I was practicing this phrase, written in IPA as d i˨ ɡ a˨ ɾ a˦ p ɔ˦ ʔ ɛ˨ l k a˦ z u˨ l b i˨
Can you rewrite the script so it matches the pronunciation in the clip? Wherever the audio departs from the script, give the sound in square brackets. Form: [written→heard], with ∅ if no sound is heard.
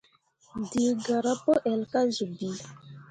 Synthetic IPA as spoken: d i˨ ɡ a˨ ɾ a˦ p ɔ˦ ʔ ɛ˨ l k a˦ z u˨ [l→∅] b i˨